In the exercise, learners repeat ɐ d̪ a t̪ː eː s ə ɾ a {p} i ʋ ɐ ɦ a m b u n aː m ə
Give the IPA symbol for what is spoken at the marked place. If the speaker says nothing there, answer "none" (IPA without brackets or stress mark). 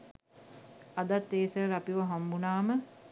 p